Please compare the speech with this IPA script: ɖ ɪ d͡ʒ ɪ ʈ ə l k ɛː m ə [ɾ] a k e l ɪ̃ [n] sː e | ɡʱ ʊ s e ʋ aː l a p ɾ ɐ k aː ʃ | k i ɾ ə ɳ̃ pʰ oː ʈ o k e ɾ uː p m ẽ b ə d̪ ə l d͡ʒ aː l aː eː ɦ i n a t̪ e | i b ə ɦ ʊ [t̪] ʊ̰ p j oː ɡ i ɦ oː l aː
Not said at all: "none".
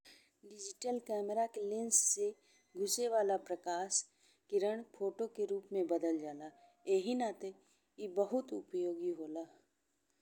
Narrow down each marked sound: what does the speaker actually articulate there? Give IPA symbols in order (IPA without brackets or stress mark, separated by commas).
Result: ɾ, n, t̪